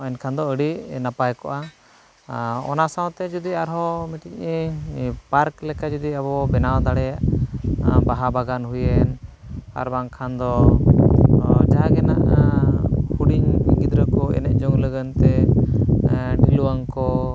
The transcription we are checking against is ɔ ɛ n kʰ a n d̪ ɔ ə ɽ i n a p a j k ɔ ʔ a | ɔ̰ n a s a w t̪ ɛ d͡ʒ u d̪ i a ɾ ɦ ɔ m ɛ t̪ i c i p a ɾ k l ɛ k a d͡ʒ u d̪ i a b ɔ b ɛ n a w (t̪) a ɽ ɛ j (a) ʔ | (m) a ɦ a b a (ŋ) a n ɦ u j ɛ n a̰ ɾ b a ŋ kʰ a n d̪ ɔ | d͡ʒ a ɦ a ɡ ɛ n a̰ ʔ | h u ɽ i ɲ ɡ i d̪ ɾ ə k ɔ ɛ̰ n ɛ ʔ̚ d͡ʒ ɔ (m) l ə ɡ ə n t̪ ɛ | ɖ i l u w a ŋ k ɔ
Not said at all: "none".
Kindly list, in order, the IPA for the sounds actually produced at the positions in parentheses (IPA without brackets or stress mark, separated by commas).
d̪, a, b, ɡ, ŋ